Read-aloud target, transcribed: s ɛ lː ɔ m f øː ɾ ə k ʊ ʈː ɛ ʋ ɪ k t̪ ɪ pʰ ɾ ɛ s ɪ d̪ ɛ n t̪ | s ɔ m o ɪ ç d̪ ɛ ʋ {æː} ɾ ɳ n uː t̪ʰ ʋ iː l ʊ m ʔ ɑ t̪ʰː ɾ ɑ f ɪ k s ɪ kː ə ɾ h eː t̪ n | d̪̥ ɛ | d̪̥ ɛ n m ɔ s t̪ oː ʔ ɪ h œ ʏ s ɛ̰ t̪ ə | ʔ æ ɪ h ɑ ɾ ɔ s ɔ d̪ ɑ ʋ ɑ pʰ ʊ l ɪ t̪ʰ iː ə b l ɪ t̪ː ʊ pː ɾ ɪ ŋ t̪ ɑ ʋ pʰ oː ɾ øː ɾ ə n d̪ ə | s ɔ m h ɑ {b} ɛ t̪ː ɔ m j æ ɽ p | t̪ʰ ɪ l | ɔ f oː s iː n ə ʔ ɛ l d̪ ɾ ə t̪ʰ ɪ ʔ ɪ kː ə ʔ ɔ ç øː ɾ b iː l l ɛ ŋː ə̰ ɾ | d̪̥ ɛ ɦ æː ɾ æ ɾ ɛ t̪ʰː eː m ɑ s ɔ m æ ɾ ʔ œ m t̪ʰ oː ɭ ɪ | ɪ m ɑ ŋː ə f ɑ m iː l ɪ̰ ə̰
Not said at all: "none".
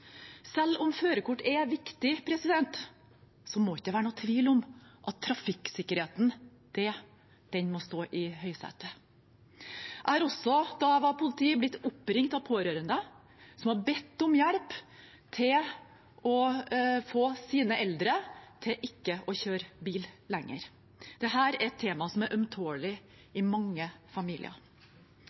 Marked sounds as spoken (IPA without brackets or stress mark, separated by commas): æː, b